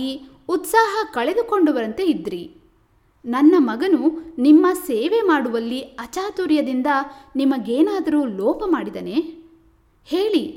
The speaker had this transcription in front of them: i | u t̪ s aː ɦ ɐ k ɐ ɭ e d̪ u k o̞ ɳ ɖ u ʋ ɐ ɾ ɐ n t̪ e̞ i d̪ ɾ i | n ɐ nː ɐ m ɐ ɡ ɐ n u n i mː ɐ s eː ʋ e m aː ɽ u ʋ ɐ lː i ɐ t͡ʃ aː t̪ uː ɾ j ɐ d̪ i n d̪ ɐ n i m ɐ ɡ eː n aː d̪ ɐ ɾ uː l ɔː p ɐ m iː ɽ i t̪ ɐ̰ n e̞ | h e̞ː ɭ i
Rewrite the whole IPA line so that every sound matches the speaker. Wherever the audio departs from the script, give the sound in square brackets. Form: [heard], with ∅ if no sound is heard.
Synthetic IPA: i | u t̪ s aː ɦ ɐ k ɐ ɭ e d̪ u k o̞ ɳ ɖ u ʋ ɐ ɾ ɐ n t̪ e̞ i d̪ ɾ i | n ɐ nː ɐ m ɐ ɡ ɐ n u n i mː ɐ s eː ʋ e m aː ɽ u ʋ ɐ lː i ɐ t͡ʃ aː t̪ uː ɾ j ɐ d̪ i n d̪ ɐ n i m ɐ ɡ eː n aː d̪ ɐ ɾ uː l ɔː p ɐ m [aː] ɽ i [d̪] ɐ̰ n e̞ | h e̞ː ɭ i